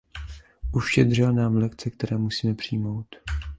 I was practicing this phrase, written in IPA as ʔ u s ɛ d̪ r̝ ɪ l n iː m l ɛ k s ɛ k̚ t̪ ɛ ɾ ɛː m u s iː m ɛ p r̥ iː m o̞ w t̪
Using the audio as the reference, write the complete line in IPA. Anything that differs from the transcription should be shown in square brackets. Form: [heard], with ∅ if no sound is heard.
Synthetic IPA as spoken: ʔ u [ʃ] ɛ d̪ r̝ ɪ l n [aː] m l ɛ k [t͡s] ɛ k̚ t̪ ɛ ɾ ɛː m u s iː m ɛ p r̥ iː m o̞ w t̪